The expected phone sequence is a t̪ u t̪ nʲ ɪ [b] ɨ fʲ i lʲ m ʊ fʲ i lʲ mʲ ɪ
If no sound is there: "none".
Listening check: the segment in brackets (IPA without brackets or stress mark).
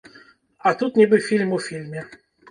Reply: b